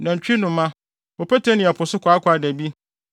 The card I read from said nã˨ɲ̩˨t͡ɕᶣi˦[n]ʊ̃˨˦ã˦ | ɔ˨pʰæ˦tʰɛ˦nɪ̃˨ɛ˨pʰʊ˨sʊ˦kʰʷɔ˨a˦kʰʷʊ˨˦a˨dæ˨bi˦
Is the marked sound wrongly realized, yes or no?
no